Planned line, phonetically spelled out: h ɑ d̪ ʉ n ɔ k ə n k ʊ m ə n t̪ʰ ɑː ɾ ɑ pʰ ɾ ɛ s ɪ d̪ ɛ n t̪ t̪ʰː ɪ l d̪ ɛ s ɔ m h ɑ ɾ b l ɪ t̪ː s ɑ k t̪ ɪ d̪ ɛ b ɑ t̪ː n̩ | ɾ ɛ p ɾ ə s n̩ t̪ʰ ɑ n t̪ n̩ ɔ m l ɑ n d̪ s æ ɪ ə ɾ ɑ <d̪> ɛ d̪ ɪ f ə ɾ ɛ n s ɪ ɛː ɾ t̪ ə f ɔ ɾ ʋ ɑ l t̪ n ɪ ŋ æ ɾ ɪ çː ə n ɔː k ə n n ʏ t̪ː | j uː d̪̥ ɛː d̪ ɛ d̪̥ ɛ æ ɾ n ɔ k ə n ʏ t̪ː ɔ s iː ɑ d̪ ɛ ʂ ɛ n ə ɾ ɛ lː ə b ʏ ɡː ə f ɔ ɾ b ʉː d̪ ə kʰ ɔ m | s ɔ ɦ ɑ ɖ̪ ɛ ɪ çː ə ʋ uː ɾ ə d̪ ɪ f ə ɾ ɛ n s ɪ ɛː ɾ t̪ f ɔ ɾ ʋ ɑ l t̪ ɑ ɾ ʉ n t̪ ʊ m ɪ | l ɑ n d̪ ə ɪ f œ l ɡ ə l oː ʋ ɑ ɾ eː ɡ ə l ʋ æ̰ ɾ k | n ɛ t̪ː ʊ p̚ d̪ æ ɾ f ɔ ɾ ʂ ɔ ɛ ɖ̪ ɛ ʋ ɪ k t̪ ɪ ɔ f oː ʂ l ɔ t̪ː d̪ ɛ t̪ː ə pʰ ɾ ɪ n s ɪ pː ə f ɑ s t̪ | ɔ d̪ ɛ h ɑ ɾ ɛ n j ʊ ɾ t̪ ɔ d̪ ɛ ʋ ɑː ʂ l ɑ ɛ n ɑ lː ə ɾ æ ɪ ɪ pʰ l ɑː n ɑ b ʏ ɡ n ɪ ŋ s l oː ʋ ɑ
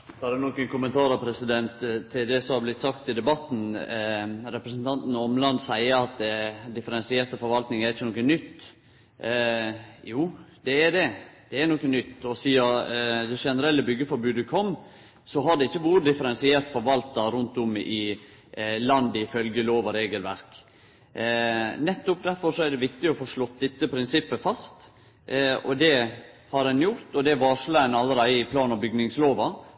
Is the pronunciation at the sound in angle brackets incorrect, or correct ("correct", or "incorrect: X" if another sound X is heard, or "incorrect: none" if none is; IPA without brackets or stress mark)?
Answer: incorrect: t̪